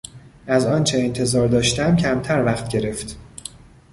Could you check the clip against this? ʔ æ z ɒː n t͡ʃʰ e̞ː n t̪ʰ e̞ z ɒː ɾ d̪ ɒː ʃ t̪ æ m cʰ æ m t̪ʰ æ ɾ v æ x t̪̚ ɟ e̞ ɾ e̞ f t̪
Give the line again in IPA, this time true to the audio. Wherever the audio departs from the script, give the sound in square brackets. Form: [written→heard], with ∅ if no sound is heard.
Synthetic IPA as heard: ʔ æ z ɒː n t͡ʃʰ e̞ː n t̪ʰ e̞ z ɒː ɾ d̪ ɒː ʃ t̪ æ m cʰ æ m t̪ʰ æ ɾ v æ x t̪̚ ɟ e̞ ɾ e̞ f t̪